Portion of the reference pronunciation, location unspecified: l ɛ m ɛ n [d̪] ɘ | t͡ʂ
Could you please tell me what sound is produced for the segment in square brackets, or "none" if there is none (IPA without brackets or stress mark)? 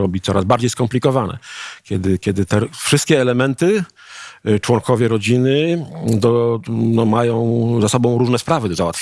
t̪